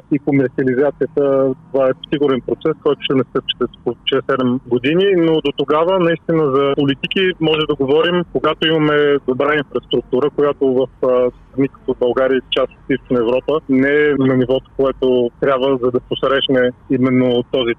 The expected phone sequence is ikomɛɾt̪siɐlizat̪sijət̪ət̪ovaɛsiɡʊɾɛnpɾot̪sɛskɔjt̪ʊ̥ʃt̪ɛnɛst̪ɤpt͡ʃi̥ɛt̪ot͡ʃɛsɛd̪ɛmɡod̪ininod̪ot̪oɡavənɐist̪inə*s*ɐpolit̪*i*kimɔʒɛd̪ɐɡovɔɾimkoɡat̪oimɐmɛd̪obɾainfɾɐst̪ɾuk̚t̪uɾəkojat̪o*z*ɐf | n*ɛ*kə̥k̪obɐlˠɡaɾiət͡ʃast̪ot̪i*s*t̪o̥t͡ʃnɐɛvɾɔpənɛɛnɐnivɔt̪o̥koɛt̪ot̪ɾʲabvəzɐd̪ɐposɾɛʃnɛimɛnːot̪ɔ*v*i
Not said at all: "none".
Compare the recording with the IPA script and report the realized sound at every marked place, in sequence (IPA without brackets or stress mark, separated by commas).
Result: z, i, v, i, s, z